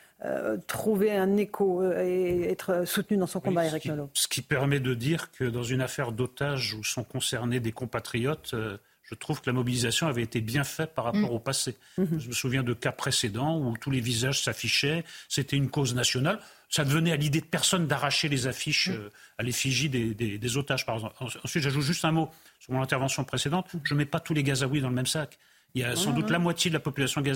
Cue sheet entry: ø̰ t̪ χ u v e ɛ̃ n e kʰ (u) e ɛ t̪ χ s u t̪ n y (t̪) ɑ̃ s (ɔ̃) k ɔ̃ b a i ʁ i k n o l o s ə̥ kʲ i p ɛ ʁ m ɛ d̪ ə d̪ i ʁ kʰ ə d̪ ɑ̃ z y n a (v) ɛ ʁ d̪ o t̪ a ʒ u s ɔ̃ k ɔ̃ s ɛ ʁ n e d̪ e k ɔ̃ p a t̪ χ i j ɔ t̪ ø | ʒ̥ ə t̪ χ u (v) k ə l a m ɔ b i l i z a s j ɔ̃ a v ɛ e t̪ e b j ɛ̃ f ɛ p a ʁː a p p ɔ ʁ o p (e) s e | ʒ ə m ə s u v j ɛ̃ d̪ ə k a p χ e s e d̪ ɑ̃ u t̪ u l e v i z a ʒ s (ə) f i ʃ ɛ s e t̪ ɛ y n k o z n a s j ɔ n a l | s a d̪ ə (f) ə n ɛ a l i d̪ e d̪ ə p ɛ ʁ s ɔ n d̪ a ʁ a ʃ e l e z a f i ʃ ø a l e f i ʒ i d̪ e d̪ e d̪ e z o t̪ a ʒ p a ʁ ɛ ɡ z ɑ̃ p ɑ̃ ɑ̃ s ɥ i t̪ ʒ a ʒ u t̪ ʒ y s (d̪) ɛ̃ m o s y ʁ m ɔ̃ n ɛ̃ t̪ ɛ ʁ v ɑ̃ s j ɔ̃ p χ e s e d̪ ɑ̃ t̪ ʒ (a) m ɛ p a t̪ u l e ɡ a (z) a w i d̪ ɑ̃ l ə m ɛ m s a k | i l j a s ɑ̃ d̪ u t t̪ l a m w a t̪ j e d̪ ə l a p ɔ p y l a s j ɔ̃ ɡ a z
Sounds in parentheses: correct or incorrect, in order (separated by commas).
incorrect, incorrect, correct, incorrect, correct, incorrect, incorrect, incorrect, incorrect, incorrect, correct